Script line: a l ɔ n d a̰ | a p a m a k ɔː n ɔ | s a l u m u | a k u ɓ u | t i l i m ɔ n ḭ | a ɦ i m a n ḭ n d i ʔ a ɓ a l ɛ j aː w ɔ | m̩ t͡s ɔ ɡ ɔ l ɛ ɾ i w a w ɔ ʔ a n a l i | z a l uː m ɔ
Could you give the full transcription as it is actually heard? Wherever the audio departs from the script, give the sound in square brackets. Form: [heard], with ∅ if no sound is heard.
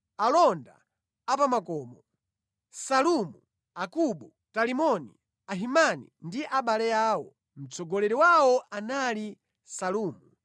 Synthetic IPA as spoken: a l ɔ n d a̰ | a p a m a k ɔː [m] ɔ | s a l u m u | a k u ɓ u | t [a] l i m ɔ n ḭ | a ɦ i m a n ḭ n d i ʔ a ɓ a l ɛ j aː w ɔ | m̩ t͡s ɔ ɡ ɔ l ɛ ɾ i w a w ɔ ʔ a n a l i | [s] a l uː m [u]